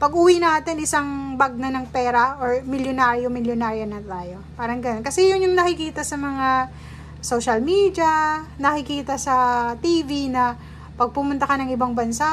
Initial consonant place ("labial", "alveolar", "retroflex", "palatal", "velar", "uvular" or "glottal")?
labial